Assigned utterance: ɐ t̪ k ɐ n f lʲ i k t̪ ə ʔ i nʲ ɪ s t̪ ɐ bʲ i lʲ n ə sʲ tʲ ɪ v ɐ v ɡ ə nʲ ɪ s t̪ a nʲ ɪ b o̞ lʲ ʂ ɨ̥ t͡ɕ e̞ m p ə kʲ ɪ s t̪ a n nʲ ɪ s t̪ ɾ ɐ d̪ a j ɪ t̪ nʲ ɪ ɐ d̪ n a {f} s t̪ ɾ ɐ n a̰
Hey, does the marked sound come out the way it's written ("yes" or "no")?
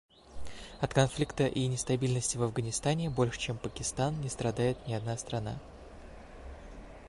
no